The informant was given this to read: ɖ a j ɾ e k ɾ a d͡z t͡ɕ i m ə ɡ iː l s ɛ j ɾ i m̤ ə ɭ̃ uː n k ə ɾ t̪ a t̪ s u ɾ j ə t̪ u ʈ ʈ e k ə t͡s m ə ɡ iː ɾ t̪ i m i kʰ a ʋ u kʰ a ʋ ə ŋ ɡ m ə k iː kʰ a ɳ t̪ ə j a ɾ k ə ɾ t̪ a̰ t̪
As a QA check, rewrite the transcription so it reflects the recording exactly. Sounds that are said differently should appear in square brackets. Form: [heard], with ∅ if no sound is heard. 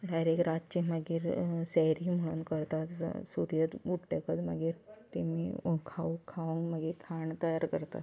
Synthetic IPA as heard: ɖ a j ɾ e k ɾ a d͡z t͡ɕ i m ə ɡ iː [ɾ] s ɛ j ɾ i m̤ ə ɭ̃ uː n k ə ɾ t̪ a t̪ s u ɾ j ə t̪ u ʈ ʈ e k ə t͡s m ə ɡ iː ɾ t̪ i m i kʰ a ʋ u kʰ a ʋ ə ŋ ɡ m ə [ɡ] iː kʰ a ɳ t̪ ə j a ɾ k ə ɾ t̪ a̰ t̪